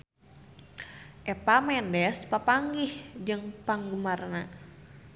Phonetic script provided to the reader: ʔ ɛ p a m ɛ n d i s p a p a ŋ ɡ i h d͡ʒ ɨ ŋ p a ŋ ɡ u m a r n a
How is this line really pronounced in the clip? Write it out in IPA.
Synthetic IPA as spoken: ʔ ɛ p a m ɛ n d ɛ s p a p a ŋ ɡ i h d͡ʒ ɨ ŋ p a ŋ ɡ u m a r n a